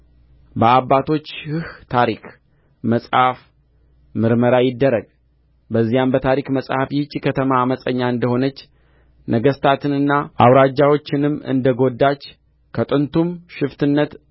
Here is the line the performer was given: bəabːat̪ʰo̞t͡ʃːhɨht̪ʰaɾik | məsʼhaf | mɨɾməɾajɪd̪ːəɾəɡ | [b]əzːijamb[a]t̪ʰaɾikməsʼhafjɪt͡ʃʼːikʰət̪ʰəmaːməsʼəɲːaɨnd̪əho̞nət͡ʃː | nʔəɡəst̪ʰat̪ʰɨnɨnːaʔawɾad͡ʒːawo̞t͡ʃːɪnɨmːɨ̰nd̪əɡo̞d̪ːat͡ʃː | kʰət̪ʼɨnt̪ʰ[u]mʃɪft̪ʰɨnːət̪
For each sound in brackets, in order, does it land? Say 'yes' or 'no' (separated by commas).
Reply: yes, no, yes